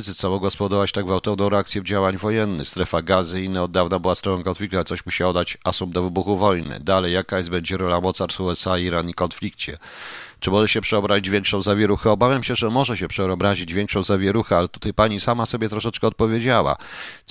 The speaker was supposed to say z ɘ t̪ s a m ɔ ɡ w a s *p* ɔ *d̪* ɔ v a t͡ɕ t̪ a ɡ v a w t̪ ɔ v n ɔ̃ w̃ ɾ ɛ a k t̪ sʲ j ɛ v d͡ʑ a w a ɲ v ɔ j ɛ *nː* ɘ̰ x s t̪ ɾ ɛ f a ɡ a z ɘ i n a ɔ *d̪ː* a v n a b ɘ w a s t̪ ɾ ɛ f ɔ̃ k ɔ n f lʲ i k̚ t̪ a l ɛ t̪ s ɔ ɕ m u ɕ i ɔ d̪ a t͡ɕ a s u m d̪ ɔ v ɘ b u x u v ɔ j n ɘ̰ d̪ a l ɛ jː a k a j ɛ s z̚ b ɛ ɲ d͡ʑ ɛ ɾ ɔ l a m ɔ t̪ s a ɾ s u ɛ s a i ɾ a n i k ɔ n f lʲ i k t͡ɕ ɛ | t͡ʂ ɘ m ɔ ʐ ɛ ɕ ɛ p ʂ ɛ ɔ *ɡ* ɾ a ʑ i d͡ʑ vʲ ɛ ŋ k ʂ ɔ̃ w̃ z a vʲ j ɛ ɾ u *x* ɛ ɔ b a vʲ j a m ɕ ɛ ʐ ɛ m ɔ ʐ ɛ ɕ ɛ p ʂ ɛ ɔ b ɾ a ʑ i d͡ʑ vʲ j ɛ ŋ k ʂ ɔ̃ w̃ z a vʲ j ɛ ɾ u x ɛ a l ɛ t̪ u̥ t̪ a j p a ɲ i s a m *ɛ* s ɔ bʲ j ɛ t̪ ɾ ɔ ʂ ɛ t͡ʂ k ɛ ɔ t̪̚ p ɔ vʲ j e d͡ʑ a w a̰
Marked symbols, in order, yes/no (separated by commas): yes, yes, yes, yes, no, yes, no